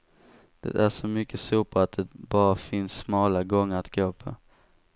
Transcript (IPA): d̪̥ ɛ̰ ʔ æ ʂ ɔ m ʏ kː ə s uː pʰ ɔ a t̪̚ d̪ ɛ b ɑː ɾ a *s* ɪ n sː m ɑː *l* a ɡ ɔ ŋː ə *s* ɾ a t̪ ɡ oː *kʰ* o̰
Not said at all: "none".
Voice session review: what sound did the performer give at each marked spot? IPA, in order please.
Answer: f, l, none, pʰ

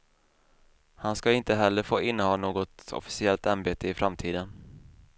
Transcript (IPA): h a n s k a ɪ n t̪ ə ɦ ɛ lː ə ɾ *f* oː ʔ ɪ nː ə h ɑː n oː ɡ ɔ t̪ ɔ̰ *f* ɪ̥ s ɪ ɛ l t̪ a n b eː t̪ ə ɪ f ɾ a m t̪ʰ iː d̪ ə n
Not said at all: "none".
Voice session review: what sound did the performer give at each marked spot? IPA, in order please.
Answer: f, f

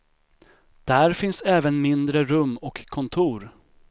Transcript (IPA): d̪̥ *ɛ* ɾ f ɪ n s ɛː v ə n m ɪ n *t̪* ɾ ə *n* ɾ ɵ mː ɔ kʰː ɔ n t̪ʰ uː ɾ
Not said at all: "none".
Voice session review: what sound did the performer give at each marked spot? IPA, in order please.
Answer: æ, d̪, none

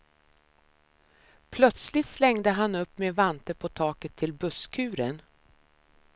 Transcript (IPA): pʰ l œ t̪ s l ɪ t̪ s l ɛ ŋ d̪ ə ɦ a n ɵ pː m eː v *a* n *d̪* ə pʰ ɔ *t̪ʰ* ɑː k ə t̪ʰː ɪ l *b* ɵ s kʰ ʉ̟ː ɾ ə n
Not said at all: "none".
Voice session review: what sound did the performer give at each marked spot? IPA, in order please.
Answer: a, t̪, t̪ʰ, b

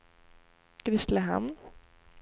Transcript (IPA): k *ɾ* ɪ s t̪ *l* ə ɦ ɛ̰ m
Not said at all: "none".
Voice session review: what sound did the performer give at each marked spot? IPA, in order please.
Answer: ɾ, l

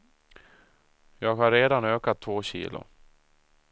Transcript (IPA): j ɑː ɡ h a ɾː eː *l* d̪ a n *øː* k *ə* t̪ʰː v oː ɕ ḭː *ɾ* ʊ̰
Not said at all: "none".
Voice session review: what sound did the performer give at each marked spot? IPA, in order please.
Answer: none, øː, a, l

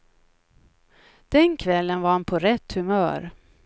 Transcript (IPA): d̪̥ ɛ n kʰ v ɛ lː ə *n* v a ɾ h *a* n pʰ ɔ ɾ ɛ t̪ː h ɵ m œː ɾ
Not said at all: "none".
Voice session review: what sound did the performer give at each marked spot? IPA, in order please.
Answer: n, a

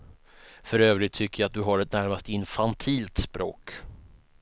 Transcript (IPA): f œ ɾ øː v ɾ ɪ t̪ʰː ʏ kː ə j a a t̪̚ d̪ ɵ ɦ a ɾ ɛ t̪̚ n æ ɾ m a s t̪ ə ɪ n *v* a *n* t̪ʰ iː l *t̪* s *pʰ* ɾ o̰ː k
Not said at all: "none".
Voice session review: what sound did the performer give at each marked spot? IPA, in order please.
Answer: f, n, t̪, p

